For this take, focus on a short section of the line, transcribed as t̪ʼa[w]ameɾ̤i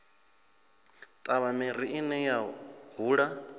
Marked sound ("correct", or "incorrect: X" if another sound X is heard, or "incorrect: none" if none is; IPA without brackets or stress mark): incorrect: β